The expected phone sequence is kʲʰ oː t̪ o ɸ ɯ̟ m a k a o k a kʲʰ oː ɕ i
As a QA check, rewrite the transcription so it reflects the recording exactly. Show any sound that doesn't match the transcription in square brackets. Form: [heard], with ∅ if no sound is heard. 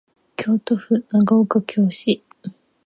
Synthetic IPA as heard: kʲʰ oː t̪ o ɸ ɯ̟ [n] a [ɡ] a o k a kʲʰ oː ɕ i